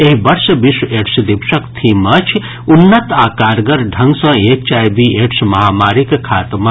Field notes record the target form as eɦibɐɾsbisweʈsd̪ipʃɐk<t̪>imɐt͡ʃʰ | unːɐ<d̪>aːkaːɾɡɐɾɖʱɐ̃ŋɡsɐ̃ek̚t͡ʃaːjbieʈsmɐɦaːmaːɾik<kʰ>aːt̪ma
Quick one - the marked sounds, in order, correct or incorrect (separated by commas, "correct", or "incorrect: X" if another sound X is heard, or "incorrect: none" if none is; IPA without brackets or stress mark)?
incorrect: t̪ʰ, incorrect: t̪, correct